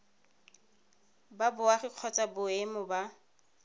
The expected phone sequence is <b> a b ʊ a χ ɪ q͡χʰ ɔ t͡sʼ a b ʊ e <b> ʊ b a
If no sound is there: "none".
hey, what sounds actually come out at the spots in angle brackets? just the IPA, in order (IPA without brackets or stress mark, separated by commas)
b, m